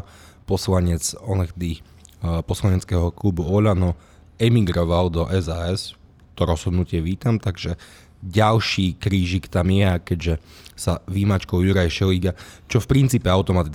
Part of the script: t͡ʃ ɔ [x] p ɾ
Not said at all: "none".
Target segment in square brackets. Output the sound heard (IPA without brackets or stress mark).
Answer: f